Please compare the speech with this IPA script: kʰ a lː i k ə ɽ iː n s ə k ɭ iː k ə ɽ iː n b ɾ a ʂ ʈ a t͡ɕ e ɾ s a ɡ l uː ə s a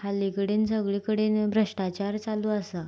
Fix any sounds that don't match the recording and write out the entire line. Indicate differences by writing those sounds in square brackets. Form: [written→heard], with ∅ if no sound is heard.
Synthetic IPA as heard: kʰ a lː i k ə ɽ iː n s ə [k→ɡ] ɭ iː k ə ɽ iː n b ɾ [a→ə] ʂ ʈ a t͡ɕ [e→a] ɾ [s→t͡s] a [ɡ→∅] l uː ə s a